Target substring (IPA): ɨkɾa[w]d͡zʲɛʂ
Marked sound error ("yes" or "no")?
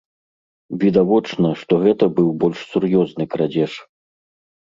yes